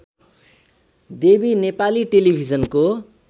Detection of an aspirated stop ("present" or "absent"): absent